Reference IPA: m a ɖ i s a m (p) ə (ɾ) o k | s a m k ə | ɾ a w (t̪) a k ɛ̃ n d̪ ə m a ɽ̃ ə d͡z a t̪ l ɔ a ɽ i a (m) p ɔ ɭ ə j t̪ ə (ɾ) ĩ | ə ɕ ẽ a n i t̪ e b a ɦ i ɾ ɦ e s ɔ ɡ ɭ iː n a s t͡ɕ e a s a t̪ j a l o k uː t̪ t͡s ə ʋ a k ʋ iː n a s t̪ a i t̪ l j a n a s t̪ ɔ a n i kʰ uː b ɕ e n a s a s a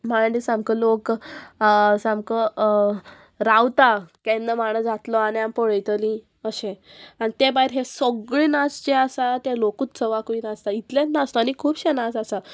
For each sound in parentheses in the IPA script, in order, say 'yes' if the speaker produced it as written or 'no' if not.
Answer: no, no, yes, yes, no

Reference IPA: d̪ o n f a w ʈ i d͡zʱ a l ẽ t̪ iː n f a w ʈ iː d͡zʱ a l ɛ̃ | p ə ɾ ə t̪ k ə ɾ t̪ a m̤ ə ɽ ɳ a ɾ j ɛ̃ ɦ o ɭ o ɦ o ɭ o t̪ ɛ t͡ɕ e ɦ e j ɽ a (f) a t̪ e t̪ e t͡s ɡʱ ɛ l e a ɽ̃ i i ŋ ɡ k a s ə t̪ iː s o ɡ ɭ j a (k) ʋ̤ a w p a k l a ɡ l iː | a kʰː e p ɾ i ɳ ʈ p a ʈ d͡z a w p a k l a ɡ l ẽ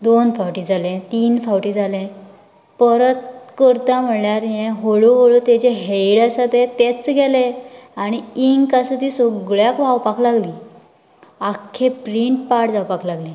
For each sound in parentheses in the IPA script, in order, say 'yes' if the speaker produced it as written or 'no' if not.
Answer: no, yes

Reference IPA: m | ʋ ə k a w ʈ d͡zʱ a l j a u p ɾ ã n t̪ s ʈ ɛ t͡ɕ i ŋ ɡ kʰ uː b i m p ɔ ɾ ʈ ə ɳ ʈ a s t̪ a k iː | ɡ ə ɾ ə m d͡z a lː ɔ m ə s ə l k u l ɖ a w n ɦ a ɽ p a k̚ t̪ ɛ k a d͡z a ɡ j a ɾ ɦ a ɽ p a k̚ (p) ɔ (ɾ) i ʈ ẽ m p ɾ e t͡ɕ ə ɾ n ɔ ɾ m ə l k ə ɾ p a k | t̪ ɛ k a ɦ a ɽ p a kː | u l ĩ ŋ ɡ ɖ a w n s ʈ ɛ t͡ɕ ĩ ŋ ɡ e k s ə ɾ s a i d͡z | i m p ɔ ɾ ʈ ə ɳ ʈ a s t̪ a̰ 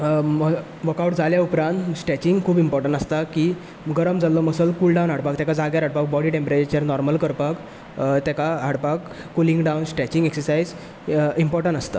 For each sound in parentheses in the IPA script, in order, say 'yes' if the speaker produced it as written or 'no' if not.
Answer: no, no

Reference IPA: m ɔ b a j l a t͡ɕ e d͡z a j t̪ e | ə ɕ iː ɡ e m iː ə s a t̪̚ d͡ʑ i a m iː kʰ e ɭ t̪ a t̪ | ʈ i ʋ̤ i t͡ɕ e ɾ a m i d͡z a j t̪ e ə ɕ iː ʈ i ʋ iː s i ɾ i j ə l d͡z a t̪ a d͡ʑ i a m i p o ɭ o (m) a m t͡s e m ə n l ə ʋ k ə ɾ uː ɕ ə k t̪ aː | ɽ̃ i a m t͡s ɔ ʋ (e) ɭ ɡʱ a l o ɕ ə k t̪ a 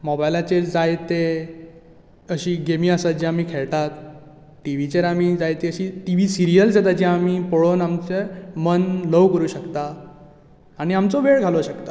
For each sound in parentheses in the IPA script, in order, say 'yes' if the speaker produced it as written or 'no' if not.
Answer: no, yes

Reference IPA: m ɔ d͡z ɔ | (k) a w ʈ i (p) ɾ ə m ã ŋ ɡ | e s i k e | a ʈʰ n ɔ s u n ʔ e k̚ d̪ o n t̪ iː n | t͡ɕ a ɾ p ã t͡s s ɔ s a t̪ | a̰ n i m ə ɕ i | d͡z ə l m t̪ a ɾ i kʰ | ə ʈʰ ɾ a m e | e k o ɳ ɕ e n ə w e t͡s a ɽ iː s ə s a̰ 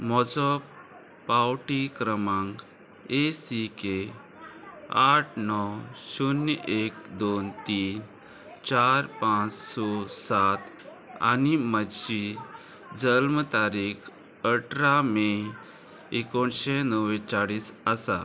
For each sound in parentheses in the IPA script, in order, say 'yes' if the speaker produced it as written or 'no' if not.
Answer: no, no

